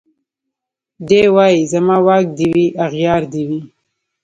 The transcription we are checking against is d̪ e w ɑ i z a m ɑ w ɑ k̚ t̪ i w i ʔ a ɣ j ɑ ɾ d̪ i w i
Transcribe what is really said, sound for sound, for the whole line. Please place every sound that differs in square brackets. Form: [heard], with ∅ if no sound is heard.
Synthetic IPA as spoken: d̪ e w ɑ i z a m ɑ w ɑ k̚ [d̪] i w i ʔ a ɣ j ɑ ɾ d̪ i w i

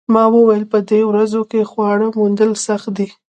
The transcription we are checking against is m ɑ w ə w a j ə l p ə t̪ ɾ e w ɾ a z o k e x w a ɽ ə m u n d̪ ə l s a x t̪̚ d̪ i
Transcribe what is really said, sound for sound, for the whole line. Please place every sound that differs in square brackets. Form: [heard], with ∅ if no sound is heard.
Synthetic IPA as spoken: m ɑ w ə w a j ə l p ə [d̪] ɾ e w ɾ a z o k e x w [ɑ] ɽ ə m u n d̪ ə l s a x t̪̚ d̪ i

